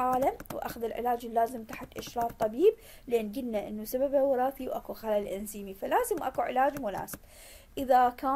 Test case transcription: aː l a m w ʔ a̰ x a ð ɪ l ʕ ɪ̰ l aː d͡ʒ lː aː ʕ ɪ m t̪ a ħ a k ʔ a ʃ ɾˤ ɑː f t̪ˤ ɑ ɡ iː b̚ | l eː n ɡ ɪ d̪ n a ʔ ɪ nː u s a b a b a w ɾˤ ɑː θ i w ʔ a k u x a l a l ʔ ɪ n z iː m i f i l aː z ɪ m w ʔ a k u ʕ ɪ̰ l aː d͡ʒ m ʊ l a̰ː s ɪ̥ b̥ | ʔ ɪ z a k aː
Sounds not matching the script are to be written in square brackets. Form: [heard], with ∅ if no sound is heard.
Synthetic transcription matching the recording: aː l a m w ʔ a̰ x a ð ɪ l ʕ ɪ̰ l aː d͡ʒ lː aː [z] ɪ m t̪ a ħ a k ʔ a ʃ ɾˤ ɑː f t̪ˤ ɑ [b] iː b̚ | l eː n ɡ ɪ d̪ n a ʔ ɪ nː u s a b a b a w ɾˤ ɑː θ i w ʔ a k u x a l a l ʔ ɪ n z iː m i f [a] l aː z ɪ m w ʔ a k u ʕ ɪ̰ l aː d͡ʒ m ʊ l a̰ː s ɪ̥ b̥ | ʔ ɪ [ð] a k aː